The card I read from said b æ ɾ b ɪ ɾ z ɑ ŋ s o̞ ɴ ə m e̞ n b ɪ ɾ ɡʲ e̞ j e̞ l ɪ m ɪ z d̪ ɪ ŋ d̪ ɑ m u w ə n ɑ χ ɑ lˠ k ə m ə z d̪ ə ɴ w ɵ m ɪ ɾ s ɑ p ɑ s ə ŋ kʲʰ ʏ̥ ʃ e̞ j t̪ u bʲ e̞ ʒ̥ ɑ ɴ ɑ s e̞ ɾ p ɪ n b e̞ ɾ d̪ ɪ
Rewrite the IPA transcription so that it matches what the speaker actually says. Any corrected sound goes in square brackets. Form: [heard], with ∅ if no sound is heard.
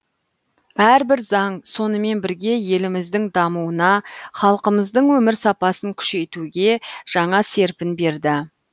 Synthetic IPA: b æ ɾ b ɪ ɾ z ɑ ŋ s o̞ [n] ə m e̞ n b ɪ ɾ ɡʲ e̞ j e̞ l ɪ m ɪ z d̪ ɪ ŋ d̪ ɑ m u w ə n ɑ χ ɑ lˠ [q] ə m ə z d̪ ə ɴ w ɵ m ɪ ɾ s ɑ p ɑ s ə ŋ kʲʰ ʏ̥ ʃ e̞ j t̪ u [ɡʲ] e̞ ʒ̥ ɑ ɴ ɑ s e̞ ɾ p ɪ n b e̞ ɾ d̪ ɪ